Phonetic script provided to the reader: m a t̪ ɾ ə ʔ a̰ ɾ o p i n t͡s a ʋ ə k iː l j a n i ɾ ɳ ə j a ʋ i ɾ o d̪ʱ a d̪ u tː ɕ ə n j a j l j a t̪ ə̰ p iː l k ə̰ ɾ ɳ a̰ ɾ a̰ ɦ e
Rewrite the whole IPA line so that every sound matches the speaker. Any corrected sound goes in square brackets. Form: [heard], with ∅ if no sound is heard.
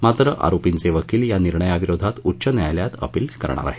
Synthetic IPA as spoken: m a t̪ ɾ ə ʔ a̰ ɾ o p i n t͡s [e] ʋ ə k iː l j a n i ɾ ɳ ə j a ʋ i ɾ o d̪ʱ a [t̪] u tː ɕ ə n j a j l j a t̪ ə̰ p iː l k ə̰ ɾ ɳ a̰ ɾ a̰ ɦ e